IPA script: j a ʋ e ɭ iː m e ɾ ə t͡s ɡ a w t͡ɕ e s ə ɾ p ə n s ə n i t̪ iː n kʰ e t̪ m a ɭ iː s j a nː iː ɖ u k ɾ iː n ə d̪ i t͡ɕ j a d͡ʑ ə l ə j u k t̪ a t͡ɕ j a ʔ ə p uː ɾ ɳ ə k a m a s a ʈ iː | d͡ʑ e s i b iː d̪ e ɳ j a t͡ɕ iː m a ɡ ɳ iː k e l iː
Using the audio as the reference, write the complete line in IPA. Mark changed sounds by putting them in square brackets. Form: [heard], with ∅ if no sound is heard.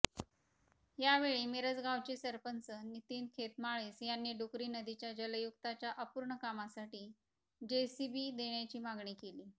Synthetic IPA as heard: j a ʋ e ɭ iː m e ɾ ə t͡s ɡ a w t͡ɕ e s ə ɾ p ə n s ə n i t̪ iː n kʰ e t̪ m a ɭ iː s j a nː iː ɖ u k ɾ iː n ə d̪ i t͡ɕ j a d͡ʑ ə l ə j u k t̪ a t͡ɕ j a ʔ ə p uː ɾ ɳ ə k a m a s a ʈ iː | d͡ʑ e s i b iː d̪ e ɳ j a t͡ɕ iː m a ɡ ɳ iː k e l iː